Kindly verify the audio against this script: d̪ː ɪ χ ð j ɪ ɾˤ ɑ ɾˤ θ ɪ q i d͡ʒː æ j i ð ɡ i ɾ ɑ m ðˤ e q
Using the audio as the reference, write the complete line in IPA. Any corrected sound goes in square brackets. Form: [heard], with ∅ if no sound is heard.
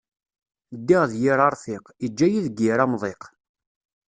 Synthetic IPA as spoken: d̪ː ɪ [ʁ] ð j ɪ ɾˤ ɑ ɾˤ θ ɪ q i d͡ʒː æ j i ð ɡ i ɾ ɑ m ðˤ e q